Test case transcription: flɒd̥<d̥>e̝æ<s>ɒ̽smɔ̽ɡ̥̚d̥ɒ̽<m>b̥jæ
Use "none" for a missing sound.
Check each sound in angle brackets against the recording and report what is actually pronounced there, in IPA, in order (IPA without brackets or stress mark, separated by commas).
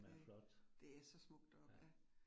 d̥, s, none